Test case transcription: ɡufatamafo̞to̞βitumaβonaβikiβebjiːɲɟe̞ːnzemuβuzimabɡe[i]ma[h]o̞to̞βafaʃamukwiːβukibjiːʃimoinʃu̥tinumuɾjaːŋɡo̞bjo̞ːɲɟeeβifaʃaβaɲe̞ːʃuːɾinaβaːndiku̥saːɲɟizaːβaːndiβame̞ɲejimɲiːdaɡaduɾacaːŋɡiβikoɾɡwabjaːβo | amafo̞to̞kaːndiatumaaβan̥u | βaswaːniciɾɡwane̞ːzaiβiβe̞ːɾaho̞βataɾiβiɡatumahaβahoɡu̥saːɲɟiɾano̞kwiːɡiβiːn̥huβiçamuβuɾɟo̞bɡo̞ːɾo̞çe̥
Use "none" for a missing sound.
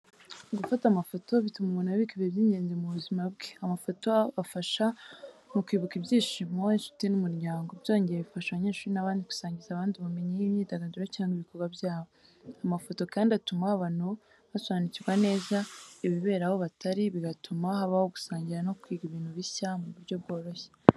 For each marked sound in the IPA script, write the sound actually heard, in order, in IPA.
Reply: a, f

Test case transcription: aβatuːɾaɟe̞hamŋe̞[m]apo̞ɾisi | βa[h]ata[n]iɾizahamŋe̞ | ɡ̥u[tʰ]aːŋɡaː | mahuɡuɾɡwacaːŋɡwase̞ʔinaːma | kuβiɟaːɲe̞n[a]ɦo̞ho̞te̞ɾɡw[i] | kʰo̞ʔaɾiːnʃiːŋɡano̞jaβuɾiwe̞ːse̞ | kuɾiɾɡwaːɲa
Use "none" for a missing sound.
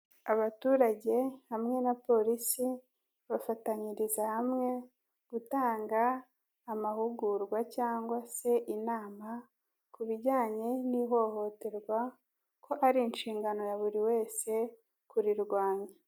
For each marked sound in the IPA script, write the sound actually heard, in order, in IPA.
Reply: n, f, ɲ, t, i, a

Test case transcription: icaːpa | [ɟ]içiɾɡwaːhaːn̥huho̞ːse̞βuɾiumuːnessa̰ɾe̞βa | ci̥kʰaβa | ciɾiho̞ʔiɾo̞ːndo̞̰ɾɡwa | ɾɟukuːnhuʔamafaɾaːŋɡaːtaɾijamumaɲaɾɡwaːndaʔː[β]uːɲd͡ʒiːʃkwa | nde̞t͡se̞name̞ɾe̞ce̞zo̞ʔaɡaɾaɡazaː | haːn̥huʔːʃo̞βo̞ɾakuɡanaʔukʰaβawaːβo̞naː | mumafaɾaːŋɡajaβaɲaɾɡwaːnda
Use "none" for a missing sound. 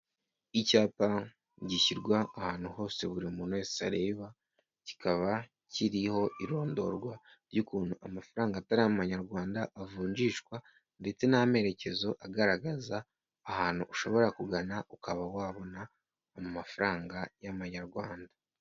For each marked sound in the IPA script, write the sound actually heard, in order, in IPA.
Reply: ɟ, v

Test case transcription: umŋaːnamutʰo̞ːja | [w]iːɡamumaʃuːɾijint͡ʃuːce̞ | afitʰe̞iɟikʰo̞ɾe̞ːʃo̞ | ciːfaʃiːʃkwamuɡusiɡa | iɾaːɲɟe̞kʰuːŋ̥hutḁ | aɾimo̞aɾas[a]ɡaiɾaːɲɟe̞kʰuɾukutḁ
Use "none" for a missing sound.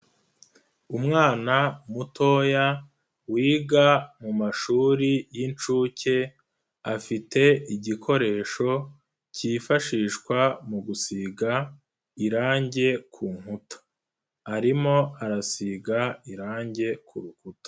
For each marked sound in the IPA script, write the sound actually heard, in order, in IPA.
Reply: w, i

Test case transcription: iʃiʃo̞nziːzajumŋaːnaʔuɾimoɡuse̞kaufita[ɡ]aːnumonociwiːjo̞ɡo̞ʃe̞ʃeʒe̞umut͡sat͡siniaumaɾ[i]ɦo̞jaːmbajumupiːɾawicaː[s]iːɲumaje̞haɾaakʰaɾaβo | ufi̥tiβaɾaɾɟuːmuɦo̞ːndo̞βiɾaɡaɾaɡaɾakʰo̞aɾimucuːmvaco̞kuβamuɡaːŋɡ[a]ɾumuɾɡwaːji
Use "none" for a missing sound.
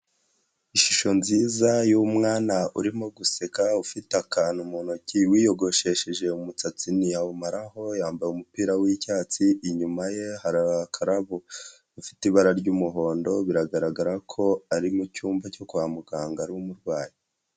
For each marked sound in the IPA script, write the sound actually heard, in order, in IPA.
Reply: k, a, t͡s, a

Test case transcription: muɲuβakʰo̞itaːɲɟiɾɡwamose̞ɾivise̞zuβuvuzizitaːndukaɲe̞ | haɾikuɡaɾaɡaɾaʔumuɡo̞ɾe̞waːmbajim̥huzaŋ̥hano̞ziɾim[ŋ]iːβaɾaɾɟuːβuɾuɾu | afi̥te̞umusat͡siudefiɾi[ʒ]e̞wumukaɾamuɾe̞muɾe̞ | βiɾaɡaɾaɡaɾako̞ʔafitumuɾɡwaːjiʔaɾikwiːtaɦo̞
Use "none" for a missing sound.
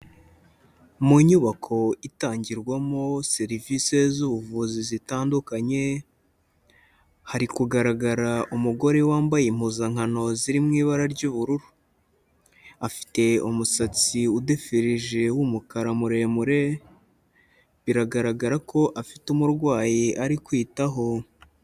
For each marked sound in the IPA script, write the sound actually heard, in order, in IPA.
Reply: ŋ, ʒ

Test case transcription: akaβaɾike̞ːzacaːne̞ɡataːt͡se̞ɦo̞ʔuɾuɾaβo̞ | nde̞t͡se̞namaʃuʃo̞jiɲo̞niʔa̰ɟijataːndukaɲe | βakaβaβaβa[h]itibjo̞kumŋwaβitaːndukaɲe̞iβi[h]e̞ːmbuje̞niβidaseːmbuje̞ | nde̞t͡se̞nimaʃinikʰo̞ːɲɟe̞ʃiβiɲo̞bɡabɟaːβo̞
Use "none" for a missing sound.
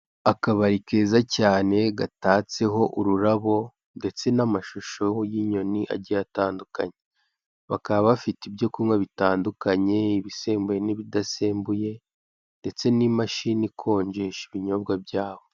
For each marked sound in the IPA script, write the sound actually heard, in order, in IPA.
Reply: f, s

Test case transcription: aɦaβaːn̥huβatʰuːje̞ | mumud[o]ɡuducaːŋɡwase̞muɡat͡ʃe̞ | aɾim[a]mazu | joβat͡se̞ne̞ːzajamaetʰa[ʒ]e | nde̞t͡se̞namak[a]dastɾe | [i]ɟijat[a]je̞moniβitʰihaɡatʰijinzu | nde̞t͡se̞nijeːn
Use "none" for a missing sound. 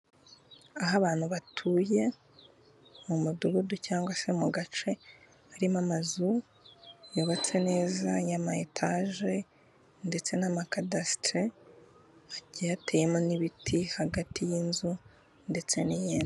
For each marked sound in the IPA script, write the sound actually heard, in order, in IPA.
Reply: u, a, ʒ, a, a, e

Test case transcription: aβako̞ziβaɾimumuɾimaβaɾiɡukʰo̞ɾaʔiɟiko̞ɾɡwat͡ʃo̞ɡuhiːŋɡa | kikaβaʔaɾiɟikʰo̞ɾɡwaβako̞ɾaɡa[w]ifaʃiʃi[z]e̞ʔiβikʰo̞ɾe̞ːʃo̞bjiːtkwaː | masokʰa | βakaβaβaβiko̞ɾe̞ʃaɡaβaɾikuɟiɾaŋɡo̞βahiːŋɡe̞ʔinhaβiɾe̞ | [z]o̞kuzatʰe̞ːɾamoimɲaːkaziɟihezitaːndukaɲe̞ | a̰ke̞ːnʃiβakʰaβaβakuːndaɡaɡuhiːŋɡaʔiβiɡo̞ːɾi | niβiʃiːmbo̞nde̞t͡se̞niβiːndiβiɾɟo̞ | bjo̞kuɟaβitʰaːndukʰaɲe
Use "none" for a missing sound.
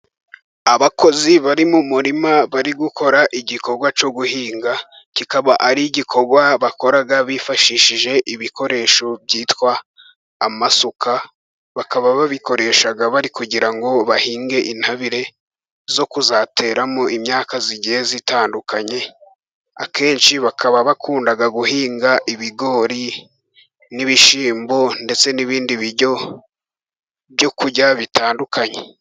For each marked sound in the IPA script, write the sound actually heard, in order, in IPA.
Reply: β, ʒ, z

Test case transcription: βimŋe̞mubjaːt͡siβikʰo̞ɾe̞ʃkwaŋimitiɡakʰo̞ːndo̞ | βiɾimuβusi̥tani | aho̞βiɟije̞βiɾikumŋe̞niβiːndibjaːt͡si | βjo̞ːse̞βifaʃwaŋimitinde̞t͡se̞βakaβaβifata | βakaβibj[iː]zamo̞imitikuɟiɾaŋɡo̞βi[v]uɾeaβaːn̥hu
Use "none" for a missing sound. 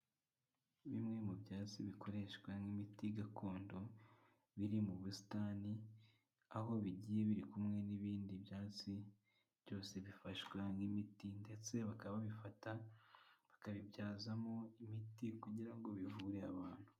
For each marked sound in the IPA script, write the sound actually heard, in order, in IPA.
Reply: aː, v

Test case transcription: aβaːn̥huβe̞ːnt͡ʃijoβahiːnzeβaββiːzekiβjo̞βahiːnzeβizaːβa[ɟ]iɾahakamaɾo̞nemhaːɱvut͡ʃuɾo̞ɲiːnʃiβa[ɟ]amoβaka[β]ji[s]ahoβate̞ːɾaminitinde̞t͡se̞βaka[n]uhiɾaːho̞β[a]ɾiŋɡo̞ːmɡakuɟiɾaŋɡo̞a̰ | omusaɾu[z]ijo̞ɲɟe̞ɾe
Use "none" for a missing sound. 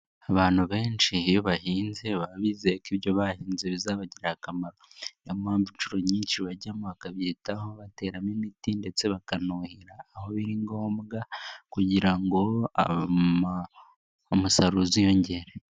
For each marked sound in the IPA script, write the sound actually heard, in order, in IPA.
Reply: ɟ, ɟ, β, t, n, i, z

